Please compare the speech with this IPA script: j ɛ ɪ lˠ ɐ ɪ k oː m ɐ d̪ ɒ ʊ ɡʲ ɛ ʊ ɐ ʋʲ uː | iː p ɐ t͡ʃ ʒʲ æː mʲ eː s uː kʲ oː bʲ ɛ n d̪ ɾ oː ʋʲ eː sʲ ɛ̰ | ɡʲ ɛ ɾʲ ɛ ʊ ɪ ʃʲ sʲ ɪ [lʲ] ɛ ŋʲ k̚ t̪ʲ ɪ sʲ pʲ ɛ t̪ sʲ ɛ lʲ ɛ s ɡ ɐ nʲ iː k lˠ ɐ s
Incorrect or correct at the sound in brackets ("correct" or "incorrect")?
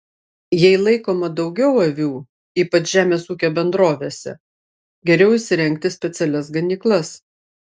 incorrect